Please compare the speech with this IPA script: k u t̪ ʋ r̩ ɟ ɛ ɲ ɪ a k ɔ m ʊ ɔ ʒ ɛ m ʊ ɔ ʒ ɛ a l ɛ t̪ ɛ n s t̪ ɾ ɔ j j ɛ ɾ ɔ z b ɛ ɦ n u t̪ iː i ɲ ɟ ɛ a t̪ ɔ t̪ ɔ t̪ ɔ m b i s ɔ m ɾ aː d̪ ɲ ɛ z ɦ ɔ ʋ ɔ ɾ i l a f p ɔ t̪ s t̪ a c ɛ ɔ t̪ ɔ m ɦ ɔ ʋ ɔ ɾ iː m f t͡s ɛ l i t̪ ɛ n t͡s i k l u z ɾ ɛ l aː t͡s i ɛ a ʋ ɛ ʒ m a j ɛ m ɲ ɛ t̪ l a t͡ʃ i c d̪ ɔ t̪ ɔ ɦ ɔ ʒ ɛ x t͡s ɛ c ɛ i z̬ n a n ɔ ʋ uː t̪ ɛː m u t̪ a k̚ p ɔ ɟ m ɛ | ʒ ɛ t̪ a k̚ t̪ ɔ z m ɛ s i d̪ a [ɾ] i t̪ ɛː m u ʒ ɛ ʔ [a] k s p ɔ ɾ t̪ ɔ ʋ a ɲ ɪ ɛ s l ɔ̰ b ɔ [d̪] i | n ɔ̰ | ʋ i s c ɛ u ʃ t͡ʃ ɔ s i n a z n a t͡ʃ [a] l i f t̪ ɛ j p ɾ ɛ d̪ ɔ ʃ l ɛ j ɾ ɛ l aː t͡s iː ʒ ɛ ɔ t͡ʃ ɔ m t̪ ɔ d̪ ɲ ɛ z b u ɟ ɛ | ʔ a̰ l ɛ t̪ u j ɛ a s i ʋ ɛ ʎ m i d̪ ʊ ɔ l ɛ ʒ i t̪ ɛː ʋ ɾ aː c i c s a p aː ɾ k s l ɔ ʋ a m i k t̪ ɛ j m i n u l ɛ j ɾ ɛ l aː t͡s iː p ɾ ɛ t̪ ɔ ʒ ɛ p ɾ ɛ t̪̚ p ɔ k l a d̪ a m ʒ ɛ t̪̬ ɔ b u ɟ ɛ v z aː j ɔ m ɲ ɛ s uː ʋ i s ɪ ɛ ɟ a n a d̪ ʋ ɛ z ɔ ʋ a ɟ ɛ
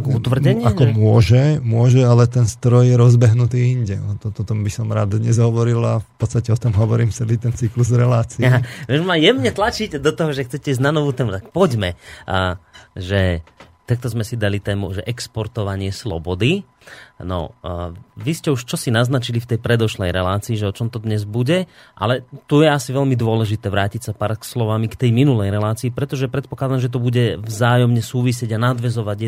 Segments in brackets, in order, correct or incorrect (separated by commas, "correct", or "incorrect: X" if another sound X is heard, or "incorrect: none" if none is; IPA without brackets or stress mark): incorrect: l, incorrect: ɛ, correct, incorrect: i